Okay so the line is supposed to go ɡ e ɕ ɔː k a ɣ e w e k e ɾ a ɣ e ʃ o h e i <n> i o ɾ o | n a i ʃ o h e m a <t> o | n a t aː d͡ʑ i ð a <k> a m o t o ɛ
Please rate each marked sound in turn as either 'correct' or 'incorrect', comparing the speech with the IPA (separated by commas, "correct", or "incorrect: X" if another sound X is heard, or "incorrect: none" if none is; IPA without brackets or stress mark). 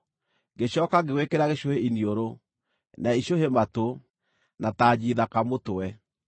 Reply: correct, correct, correct